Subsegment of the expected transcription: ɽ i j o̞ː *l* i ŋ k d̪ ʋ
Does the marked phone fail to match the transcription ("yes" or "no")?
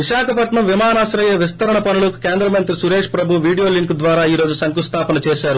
no